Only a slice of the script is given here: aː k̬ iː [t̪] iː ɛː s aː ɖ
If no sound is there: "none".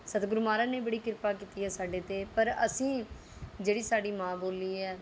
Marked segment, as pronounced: t̪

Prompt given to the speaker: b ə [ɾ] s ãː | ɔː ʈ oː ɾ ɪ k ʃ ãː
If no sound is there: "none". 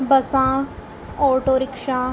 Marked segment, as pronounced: none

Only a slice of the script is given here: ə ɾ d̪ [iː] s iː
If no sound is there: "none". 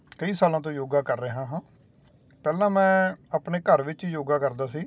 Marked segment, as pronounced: aː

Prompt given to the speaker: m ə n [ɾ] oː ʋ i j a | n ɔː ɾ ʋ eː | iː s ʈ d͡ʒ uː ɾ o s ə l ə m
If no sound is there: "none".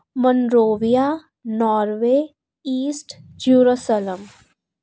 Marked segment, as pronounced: ɾ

